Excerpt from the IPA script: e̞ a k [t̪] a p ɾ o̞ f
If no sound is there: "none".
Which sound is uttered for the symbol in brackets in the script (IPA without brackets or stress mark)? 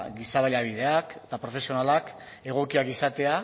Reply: t̪